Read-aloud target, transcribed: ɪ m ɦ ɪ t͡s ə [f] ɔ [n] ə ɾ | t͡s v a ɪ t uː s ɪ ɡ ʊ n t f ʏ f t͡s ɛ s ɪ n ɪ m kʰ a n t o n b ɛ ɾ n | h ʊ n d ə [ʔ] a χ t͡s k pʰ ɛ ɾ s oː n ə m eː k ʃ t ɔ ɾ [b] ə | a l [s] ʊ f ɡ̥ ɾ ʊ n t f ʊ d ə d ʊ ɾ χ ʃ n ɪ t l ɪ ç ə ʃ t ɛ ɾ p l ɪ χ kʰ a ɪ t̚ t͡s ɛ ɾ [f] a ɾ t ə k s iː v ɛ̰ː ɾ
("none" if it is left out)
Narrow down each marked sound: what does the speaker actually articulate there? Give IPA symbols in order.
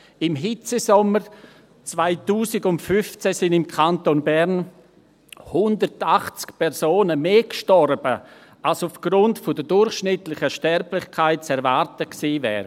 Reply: s, m, t, b, s, v

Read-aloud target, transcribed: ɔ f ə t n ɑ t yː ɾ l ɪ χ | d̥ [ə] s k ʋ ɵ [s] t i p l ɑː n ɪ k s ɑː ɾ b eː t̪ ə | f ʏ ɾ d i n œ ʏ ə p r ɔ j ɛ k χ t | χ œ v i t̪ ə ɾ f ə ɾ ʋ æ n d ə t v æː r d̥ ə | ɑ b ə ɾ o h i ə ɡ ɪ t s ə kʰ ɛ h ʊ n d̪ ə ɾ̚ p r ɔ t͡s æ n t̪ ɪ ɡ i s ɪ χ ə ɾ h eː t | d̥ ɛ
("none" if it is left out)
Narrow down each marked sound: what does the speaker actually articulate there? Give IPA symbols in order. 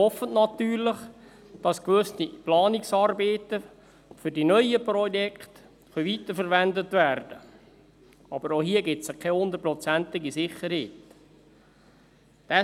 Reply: ɑ, s

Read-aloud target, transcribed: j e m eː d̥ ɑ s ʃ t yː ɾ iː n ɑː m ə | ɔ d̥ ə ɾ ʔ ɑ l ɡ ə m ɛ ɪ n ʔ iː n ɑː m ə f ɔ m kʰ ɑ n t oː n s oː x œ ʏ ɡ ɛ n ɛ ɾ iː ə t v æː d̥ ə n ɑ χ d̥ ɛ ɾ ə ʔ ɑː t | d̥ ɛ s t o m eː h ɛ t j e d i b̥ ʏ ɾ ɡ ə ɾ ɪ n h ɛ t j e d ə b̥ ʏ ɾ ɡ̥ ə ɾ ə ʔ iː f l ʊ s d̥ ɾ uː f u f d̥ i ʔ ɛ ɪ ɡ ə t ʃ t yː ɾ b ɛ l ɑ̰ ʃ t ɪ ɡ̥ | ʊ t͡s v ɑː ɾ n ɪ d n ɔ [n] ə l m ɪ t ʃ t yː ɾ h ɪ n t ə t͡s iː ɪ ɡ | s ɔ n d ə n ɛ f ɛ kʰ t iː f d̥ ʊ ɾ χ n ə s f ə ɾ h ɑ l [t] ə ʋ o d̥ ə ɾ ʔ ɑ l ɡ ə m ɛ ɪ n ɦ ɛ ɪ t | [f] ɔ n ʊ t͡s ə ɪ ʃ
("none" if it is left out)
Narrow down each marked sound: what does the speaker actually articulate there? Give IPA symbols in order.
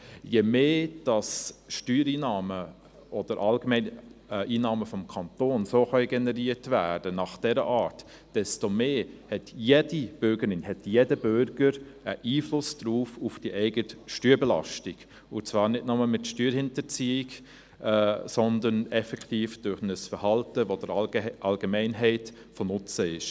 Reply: m, t, f

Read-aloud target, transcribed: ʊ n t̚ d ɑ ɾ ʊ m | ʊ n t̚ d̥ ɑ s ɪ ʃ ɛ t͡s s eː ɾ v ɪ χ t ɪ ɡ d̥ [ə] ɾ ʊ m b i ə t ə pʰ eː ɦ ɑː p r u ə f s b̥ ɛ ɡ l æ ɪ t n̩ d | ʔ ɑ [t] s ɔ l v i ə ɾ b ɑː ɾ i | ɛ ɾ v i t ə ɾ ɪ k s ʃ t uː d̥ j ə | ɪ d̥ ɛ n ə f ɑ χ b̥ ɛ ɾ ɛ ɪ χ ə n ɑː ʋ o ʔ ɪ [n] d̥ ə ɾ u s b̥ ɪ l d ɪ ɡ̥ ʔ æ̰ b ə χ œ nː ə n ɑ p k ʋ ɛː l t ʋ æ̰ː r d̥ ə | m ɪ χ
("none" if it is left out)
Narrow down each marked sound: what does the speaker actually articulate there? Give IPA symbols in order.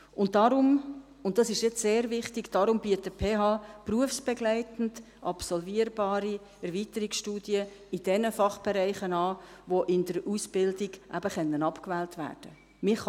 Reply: ɑ, p, n

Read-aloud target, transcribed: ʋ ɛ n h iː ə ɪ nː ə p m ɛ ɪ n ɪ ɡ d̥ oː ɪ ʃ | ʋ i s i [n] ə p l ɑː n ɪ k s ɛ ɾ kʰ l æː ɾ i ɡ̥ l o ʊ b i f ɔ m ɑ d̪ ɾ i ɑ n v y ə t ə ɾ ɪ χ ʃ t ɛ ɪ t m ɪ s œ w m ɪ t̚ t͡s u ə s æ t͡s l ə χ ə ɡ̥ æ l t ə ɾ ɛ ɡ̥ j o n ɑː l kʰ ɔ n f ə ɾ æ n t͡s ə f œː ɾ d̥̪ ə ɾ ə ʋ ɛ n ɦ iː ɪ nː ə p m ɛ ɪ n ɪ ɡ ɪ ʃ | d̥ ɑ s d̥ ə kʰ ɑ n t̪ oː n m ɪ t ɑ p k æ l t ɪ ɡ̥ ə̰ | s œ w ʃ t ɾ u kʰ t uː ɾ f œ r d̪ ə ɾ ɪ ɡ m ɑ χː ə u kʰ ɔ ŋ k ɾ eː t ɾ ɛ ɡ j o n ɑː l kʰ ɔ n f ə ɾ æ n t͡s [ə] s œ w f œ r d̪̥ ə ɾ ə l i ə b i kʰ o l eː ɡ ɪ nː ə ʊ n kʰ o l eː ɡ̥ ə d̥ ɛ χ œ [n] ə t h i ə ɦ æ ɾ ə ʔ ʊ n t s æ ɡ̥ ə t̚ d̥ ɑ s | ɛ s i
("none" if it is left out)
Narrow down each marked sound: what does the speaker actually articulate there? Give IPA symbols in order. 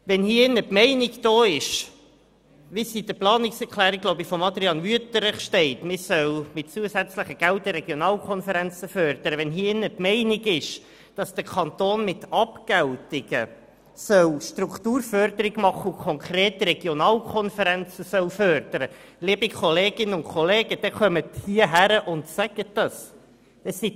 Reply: d, ə, m

